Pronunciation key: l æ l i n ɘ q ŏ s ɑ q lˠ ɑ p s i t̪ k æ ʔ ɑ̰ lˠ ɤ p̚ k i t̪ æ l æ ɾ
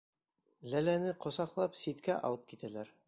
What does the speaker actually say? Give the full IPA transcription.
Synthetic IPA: l æ l æ n ɘ q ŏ s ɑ q lˠ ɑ p s i t̪ k æ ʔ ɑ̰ lˠ ɤ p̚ k i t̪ æ l æ ɾ